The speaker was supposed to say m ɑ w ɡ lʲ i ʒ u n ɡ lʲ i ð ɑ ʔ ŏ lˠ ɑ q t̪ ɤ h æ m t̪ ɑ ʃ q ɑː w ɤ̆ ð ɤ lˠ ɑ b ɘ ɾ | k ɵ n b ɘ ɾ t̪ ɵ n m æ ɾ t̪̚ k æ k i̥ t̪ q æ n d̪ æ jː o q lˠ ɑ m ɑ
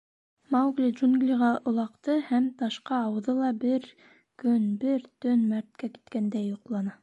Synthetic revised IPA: m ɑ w ɡ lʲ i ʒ u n ɡ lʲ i ʁ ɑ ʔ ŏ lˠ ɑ q t̪ ɤ h æ m t̪ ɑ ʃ q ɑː w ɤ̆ ð ɤ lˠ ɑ b ɘ ɾ | k ɵ n b ɘ ɾ t̪ ɵ n m æ ɾ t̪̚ k æ k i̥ t̪ k æ n d̪ æ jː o q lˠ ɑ n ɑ